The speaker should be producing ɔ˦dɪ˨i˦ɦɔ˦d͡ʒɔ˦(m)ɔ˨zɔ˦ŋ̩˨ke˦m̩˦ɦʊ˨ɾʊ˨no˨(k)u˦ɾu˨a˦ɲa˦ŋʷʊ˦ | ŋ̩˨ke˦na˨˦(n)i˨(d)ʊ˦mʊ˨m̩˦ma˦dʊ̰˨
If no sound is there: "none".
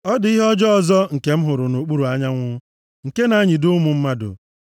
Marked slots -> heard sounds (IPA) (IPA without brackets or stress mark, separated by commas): none, k͡p, ɲ, d